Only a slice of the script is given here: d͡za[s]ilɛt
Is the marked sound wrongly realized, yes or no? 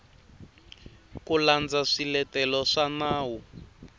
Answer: yes